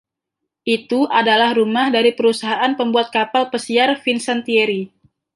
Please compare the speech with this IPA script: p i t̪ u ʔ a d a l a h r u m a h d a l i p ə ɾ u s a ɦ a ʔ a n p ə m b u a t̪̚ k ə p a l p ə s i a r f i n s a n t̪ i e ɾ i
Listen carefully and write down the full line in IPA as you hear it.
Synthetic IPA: ʔ i t̪ u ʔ a d a l a h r u m a h d a ɾ i p ə ɾ u s a ɦ a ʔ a n p ə m b u a t̪̚ k a p a l p ə s i a r f i n s a n t̪ i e ɾ i